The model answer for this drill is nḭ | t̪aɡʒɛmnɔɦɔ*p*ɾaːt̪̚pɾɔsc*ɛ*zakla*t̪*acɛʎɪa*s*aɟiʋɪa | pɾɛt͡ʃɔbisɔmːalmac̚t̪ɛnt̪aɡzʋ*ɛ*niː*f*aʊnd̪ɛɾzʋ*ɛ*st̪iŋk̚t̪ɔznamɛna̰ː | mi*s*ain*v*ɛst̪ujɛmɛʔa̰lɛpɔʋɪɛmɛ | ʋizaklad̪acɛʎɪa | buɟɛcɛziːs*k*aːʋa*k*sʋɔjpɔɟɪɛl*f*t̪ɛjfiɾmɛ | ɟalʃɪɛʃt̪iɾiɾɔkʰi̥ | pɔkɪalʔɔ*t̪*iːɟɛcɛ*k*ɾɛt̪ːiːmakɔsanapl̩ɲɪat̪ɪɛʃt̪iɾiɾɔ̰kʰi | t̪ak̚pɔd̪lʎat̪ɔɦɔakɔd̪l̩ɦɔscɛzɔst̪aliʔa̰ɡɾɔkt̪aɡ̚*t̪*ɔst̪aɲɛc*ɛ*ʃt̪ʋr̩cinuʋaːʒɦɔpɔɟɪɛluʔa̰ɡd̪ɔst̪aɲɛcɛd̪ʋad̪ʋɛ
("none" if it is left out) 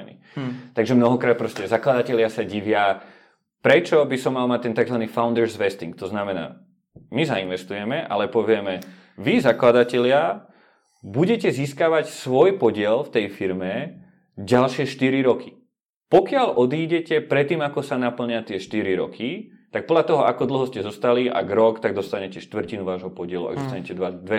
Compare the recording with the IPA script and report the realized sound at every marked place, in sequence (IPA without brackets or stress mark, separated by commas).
k, ɛ, d̪, s, a, f, ɛ, z, ʋ, k, c, f, d̪, p, d̪, ɛ